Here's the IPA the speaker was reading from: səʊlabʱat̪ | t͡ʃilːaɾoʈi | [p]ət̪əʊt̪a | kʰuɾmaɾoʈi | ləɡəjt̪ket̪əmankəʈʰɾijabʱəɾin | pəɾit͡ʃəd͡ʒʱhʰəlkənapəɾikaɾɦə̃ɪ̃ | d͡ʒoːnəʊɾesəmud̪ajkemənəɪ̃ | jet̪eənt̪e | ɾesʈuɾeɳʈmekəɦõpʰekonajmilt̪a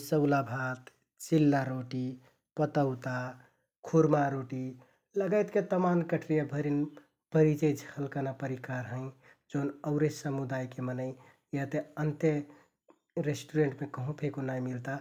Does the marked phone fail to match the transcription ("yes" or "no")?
no